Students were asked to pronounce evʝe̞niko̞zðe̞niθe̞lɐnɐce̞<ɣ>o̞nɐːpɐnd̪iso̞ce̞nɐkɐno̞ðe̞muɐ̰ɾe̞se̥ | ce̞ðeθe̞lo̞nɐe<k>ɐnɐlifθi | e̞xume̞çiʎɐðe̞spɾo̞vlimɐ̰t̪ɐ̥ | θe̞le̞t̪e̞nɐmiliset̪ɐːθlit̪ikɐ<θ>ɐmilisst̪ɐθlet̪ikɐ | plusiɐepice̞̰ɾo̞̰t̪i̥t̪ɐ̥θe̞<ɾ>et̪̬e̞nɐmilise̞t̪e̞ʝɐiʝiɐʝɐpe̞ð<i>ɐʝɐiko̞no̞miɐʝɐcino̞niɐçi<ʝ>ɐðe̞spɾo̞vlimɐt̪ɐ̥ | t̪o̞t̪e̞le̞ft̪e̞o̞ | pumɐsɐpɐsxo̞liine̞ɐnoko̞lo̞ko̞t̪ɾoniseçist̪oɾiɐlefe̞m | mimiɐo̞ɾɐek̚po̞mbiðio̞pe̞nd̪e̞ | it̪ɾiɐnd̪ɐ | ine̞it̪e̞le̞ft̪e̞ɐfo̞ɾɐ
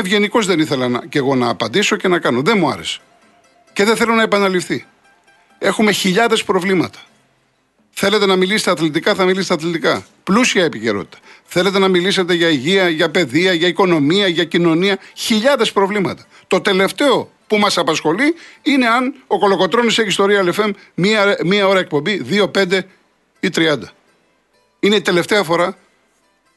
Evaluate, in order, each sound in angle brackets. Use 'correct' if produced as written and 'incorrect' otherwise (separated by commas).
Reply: correct, incorrect, correct, incorrect, correct, incorrect